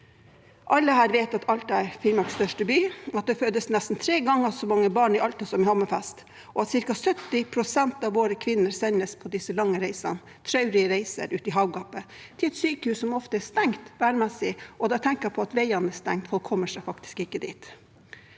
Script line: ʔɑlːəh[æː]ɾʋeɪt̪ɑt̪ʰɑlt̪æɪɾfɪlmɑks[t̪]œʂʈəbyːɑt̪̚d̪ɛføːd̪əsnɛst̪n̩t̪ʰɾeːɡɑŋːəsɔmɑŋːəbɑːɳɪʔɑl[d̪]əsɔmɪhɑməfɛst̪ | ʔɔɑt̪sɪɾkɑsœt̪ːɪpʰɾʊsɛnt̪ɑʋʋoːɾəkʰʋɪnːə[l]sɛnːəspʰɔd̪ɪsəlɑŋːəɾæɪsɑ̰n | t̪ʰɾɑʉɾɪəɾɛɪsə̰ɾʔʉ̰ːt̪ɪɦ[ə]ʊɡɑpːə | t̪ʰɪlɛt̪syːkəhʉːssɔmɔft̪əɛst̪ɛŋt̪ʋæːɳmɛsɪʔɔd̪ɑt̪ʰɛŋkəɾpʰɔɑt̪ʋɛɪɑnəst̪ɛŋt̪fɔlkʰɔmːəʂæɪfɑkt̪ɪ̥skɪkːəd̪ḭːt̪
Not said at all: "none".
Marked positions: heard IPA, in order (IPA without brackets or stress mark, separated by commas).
æː, t̪, t̪, ɾ, ɑ